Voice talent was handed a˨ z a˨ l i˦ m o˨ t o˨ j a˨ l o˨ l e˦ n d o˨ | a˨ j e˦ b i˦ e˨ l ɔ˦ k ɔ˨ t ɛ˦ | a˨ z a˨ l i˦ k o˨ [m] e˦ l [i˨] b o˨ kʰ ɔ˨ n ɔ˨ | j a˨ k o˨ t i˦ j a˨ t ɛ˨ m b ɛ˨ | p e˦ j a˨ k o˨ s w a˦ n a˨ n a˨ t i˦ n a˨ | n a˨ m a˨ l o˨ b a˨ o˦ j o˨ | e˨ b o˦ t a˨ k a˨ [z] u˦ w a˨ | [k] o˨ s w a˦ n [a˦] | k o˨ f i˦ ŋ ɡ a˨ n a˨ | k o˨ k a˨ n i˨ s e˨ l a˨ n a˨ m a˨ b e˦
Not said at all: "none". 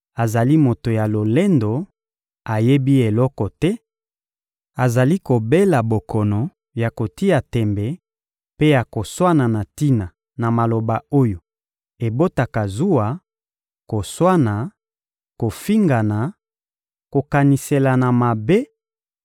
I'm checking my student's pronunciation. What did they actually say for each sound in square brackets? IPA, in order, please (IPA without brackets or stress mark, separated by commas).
b, a˨, z, k, a˨